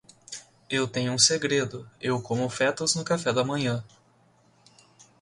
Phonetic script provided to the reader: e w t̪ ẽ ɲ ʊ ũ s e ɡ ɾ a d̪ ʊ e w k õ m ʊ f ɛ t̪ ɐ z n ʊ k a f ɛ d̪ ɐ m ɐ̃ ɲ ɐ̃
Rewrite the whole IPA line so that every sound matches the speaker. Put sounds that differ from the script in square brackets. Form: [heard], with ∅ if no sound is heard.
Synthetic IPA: e w t̪ ẽ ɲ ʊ ũ s e ɡ ɾ [e] d̪ ʊ e w k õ m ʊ f ɛ t̪ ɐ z n ʊ k a f ɛ d̪ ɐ m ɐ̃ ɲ ɐ̃